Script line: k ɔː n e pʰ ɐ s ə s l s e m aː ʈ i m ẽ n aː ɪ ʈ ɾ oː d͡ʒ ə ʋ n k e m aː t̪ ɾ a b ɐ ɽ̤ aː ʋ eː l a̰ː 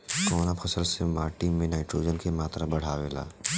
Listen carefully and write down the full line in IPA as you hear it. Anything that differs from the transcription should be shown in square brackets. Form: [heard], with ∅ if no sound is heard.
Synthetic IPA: k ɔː n [a] pʰ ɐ s ə [∅] l s e m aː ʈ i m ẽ n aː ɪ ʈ ɾ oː d͡ʒ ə [∅] n k e m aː t̪ ɾ a b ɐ ɽ̤ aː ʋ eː l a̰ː